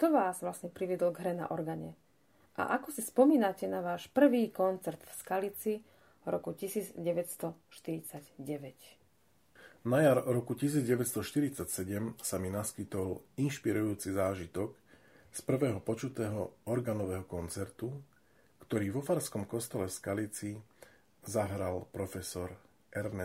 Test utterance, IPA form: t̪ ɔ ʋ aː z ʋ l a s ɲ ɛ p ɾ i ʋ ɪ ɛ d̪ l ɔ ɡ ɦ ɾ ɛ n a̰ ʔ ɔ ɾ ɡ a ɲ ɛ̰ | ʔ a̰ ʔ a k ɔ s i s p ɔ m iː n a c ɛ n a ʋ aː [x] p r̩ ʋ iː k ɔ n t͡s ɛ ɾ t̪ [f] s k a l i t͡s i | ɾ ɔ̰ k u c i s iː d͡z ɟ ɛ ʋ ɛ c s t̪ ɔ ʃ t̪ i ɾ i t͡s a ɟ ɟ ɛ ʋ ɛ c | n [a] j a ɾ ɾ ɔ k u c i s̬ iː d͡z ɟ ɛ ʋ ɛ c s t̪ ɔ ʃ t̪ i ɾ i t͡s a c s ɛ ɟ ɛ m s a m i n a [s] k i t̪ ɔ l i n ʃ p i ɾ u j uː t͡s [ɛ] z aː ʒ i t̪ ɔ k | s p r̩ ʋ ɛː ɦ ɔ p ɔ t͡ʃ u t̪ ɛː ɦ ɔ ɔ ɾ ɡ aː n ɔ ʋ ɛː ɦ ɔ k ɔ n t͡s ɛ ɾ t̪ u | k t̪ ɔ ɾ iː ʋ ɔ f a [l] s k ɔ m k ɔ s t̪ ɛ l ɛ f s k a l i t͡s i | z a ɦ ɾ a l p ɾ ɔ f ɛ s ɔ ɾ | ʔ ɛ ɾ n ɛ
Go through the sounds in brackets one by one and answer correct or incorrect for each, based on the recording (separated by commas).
incorrect, correct, correct, correct, incorrect, incorrect